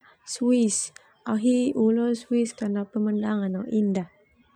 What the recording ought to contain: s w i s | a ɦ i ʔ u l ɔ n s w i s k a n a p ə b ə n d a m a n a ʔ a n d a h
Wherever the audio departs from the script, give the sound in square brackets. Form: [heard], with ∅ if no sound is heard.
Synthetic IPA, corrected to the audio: s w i s | a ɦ i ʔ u l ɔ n s w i s k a n a p ə [m] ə n d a [ŋ] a n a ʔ [i] n d a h